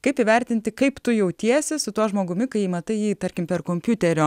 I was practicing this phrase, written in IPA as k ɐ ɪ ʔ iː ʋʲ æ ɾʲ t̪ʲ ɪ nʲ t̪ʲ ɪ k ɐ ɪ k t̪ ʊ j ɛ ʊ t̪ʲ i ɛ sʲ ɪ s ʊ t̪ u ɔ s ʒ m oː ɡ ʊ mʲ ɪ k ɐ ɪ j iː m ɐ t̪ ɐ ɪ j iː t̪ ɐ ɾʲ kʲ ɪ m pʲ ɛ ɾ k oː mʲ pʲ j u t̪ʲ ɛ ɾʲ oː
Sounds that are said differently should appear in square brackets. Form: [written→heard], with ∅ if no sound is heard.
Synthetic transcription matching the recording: k ɐ ɪ [ʔ→p] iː ʋʲ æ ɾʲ t̪ʲ ɪ nʲ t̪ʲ ɪ k ɐ ɪ [k→p] t̪ ʊ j ɛ ʊ t̪ʲ i ɛ sʲ ɪ s ʊ t̪ u ɔ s ʒ m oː ɡ ʊ mʲ ɪ k ɐ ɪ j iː m ɐ t̪ ɐ ɪ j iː t̪ ɐ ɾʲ kʲ ɪ m pʲ ɛ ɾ k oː mʲ pʲ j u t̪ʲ ɛ ɾʲ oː